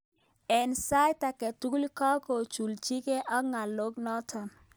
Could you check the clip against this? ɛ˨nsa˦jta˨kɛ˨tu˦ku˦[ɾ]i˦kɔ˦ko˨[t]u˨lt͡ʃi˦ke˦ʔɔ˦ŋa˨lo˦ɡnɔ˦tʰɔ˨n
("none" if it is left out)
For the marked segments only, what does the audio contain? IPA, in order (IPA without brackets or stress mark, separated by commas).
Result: l, t͡ʃ